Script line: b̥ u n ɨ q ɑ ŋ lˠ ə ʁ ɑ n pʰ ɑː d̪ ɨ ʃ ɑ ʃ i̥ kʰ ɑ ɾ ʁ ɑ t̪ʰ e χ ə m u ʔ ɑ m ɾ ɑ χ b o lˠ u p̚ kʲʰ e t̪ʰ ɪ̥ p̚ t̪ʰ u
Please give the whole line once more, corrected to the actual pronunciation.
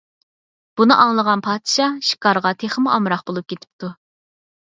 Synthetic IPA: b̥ u n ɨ ʔ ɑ ŋ lˠ ə ʁ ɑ n pʰ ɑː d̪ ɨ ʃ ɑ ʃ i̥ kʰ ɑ ɾ ʁ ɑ t̪ʰ e χ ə m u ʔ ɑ m ɾ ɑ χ b o lˠ u p̚ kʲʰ e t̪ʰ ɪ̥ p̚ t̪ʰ u

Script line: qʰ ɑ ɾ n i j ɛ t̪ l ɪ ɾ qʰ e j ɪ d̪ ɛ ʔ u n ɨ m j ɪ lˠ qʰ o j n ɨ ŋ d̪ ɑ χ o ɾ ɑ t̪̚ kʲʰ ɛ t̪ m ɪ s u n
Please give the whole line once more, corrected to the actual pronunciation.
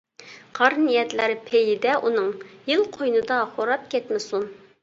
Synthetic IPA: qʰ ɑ ɾ n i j ɛ t̪ l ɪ ɾ pʰ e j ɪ d̪ ɛ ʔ u n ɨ ŋ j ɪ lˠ qʰ o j n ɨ d̪ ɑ χ o ɾ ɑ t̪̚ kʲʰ ɛ t̪ m ɪ s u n

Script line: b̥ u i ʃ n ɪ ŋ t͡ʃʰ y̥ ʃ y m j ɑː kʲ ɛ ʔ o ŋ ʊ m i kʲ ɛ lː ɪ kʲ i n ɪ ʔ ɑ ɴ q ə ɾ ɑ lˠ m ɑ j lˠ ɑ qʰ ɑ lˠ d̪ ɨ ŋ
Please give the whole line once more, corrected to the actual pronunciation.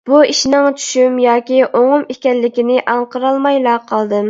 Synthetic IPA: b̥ u i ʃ n ɪ ŋ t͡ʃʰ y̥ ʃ y m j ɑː kʲ i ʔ o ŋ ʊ m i kʲ ɛ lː ɪ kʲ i n ɪ ʔ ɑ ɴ q ə ɾ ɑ lˠ m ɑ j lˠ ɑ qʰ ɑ lˠ d̪ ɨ m

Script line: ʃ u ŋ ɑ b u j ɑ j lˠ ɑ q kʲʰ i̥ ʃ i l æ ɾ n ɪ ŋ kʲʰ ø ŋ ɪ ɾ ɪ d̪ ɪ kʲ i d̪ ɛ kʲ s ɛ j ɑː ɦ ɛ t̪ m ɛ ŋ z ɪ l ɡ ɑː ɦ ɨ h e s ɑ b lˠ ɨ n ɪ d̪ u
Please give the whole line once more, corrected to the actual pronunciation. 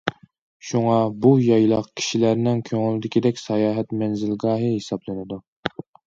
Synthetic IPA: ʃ u ŋ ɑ b u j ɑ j lˠ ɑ q kʲʰ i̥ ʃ i l æ ɾ n ɪ ŋ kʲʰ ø ŋ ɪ l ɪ d̪ ɪ kʲ i d̪ ɛ kʲ s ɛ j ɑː ɦ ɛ t̪ m ɛ n z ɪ l ɡ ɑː ɦ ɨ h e s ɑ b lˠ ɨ n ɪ d̪ u

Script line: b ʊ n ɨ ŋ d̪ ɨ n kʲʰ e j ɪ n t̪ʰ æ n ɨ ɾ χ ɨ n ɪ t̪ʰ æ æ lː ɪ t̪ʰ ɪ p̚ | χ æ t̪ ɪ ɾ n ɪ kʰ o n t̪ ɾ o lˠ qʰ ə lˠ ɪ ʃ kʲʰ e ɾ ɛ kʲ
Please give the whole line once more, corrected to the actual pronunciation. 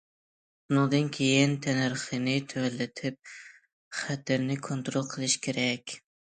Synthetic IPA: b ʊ n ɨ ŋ d̪ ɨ n kʲʰ e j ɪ n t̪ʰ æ n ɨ ɾ χ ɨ n ɪ t̪ʰ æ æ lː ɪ t̪ʰ ɪ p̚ | χ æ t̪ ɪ ɾ n ɪ kʰ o n t̪ ɾ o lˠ qʰ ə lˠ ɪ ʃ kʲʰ e ɾ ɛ kʲ

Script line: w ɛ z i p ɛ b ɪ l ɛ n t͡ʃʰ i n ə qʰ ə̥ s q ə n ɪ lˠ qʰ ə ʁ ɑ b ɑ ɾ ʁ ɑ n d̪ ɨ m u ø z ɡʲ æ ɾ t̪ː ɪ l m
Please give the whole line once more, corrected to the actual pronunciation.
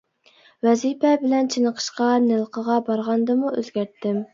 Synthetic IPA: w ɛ z i p ɛ b ɪ l ɛ n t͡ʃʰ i n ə qʰ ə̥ ʃ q ɑ n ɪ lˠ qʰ ə ʁ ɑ b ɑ ɾ ʁ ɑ n d̪ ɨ m u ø z ɡʲ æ ɾ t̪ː ɪ m

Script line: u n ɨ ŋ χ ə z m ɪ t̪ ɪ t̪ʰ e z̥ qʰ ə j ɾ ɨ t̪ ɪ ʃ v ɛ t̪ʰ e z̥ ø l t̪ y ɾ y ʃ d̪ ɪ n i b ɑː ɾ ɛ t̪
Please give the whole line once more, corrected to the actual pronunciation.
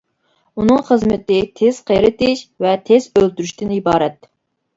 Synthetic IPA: u n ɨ ŋ χ ə z m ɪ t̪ ɪ t̪ʰ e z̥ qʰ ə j ɾ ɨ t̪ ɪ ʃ v ɛ t̪ʰ e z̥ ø l t̪ y ɾ y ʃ t̪ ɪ n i b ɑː ɾ ɛ t̪

